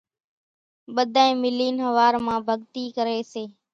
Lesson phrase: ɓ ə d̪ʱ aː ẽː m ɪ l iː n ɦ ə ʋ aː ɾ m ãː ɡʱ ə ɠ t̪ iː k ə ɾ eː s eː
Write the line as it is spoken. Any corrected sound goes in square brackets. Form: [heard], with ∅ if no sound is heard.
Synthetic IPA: ɓ ə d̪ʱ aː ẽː m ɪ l iː n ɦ ə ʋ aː ɾ m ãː [bʱ] ə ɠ t̪ iː k ə ɾ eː s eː